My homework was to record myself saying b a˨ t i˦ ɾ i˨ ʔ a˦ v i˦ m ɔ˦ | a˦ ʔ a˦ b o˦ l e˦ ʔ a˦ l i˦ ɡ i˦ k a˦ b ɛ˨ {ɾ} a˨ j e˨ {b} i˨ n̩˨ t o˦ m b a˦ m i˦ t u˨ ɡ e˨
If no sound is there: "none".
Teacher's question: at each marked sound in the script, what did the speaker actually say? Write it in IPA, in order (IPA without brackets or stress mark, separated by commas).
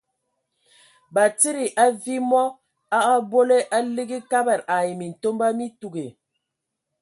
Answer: ɾ, m